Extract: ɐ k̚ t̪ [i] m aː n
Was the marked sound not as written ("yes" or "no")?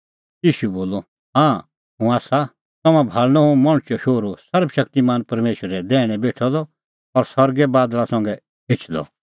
no